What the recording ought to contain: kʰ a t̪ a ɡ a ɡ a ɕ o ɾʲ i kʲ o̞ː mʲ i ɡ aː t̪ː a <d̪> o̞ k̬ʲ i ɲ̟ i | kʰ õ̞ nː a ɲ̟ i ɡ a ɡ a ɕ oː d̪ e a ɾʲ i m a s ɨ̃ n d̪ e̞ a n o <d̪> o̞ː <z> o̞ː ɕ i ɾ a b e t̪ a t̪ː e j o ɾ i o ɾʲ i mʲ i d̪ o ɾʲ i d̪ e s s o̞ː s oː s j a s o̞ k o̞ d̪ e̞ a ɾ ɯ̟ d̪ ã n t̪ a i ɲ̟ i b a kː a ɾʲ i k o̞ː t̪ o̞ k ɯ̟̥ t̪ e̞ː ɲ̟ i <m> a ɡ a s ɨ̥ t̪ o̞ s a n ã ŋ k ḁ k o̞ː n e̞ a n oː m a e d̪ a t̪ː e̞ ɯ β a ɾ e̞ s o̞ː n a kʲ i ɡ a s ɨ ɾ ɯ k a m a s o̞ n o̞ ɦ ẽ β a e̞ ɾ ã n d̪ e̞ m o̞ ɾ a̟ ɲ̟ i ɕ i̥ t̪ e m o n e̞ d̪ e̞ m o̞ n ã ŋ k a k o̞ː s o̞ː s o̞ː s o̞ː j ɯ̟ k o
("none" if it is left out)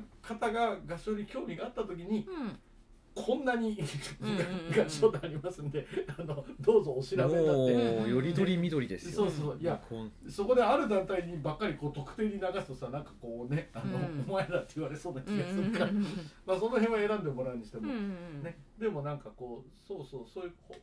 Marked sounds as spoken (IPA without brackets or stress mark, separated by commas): t̪, d̪, z, n